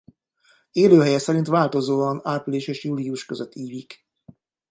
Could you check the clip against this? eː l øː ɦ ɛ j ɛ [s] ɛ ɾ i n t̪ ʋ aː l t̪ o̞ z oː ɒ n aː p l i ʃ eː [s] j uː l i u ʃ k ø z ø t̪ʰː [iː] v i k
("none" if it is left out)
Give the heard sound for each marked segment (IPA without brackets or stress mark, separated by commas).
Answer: s, ʃ, iː